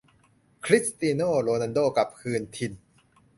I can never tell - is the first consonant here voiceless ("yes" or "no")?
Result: yes